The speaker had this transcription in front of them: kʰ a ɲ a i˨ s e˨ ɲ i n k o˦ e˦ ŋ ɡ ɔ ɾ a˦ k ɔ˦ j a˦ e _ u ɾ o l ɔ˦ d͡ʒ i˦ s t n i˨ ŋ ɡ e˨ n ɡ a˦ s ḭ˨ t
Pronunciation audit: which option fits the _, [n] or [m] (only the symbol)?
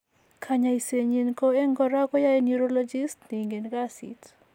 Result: n